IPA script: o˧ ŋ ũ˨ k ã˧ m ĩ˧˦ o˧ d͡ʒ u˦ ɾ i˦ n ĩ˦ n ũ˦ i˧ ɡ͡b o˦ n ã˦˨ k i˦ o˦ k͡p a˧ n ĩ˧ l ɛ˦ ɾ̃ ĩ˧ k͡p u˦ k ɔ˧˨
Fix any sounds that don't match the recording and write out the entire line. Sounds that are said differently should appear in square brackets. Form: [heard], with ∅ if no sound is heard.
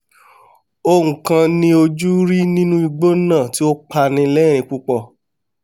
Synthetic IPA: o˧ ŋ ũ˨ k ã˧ [n] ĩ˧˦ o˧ d͡ʒ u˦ ɾ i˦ n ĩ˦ n ũ˦ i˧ ɡ͡b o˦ n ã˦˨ [t] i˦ o˦ k͡p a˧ n ĩ˧ l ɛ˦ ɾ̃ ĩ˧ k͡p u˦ [k͡p] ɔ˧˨